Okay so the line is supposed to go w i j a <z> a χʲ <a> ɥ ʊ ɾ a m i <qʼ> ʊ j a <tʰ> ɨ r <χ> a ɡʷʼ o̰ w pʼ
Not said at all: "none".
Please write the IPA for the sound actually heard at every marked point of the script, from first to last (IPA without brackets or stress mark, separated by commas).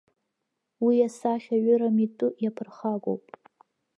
s, a, tʼ, pʰ, χ